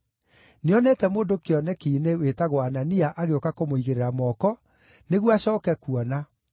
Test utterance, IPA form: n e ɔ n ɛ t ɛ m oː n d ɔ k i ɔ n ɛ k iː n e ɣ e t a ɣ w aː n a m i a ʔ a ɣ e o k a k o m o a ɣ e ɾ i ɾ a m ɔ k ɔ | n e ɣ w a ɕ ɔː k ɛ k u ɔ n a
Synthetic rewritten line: n e ɔ n ɛ t ɛ m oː n d o k e ɔ n ɛ k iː n e w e t a ɣ w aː n a n i a ʔ a ɣ e o k a k o m o i ɣ e ɾ e ɾ a m ɔ k ɔ | n e ɣ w a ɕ ɔː k ɛ k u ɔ n a

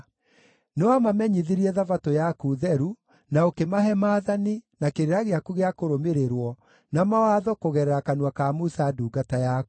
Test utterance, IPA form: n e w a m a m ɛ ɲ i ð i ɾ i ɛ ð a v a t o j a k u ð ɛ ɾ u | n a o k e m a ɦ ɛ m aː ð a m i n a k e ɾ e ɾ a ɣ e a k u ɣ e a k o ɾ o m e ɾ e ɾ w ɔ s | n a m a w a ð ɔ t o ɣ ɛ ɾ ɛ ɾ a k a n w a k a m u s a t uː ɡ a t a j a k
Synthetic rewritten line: n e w a m a m ɛ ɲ i ð i ɾ i ɛ ð a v a t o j a k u ð ɛ ɾ u | n a o k e m a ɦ ɛ m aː ð a n i n a k e ɾ e ɾ a ɣ e a k u ɣ e a k o ɾ o m e ɾ e ɾ w ɔ | n a m a w a ð ɔ k o ɣ ɛ ɾ ɛ ɾ a k a n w a k a m u s a d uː ɡ a t a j a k

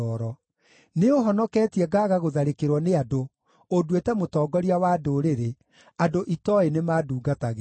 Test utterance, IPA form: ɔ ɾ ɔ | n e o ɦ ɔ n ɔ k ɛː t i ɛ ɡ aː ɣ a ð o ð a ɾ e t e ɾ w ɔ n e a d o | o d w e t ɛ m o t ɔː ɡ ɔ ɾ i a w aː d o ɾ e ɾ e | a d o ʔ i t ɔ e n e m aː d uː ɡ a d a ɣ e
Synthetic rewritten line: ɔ ɾ ɔ | n e o ɦ ɔ n ɔ k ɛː t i ɛ ɡ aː ɣ a ɣ o ð a ɾ e k e ɾ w ɔ n e a d o | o d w e t ɛ m o t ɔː ɡ ɔ ɾ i a w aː d o ɾ e ɾ e | a d o ʔ i t ɔ e n e m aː d uː ɡ a t a ɣ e

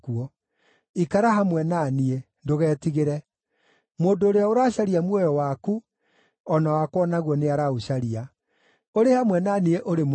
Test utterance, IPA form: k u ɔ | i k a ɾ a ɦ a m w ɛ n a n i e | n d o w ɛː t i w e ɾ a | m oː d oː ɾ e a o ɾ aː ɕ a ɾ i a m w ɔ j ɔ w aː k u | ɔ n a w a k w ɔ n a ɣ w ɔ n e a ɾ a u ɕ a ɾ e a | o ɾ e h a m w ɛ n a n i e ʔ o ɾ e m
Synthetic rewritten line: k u ɔ | i k a ɾ a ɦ a m w ɛ n a n i e | n d o ɣ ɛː t i ɣ e ɾ ɛ | m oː d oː ɾ e a o ɾ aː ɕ a ɾ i a m w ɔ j ɔ w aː k u | ɔ n a w a k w ɔ n a ɣ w ɔ n e a ɾ a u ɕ a ɾ i a | o ɾ e h a m w ɛ n a n i e ʔ o ɾ e m

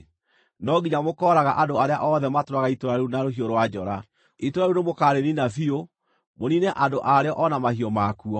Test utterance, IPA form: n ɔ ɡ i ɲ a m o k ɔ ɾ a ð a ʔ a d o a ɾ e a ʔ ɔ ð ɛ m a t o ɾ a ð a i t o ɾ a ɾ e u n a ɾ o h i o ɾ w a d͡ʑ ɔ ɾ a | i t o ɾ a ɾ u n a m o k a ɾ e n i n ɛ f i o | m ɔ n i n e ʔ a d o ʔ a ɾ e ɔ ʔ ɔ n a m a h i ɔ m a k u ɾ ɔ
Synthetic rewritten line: n ɔ ɡ i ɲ a m o k ɔ ɾ a ɣ a ʔ a d o a ɾ e a ʔ ɔ ð ɛ m a t o ɾ a ɣ a i t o ɾ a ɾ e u n a ɾ o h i o ɾ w a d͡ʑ ɔ ɾ a | i t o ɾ a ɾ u n e m o k a ɾ e n i n a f i o | m o n i n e ʔ a d o ʔ a ɾ e ɔ ʔ ɔ n a m a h i ɔ m a k u ɔ

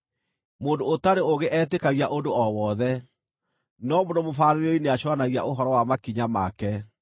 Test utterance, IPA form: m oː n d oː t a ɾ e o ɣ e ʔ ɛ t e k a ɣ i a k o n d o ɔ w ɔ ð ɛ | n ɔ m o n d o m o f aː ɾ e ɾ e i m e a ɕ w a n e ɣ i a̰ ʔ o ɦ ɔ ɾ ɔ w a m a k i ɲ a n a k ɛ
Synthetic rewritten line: m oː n d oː t a ɾ e o ɣ e ʔ ɛ t e k a ɣ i a ʔ o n d o ɔ w ɔ ð ɛ | n ɔ m o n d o m o f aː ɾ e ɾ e i n e a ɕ w a n a ɣ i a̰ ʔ o ɦ ɔ ɾ ɔ w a m a k i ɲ a m a k ɛ

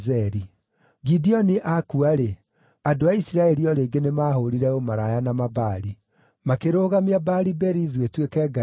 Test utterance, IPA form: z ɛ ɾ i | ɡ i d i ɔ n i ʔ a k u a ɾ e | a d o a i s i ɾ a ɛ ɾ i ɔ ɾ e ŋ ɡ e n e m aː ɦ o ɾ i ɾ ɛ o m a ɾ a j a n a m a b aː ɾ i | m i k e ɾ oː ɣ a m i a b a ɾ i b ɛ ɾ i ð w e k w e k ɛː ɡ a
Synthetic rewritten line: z ɛ ɾ i | ɡ i d i ɔ n i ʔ a k u a ɾ e | a d o a i s i ɾ a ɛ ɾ i ɔ ɾ e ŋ ɡ e n e m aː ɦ o ɾ i ɾ ɛ o m a ɾ a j a n a m a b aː ɾ i | m a k e ɾ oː ɣ a m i a b a ɾ i b ɛ ɾ i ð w e t w e k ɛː ɡ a

